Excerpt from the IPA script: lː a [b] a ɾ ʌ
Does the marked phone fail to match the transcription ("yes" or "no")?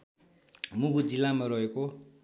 yes